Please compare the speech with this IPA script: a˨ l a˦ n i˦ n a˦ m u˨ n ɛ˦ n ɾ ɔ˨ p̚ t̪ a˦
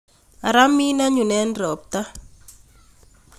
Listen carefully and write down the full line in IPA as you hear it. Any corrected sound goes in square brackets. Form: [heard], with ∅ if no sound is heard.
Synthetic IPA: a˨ [ɾ] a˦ [m] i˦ n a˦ [ɲ] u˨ n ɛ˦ n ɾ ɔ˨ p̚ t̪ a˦